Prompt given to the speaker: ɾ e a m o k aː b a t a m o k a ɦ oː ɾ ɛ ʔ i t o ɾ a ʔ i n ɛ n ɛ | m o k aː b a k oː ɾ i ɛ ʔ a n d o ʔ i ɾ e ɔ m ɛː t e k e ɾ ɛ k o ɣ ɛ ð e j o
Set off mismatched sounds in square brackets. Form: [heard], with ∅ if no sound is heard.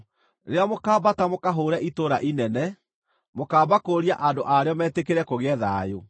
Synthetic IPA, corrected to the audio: ɾ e a m o k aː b a t a m o k a ɦ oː ɾ ɛ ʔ i t o ɾ a ʔ i n ɛ n ɛ | m o k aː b a k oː ɾ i [a] ʔ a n d o ʔ [a] ɾ e ɔ m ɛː t e k e ɾ ɛ k o ɣ ɛ ð [a] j o